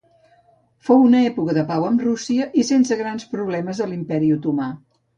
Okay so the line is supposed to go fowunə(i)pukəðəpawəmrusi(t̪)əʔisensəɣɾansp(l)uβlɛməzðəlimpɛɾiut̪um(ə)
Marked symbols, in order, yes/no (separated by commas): no, no, no, no